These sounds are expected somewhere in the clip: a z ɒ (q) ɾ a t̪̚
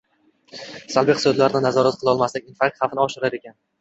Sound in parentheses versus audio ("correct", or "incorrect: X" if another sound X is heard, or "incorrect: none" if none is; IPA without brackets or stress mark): incorrect: none